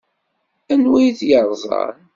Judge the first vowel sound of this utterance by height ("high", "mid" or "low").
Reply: low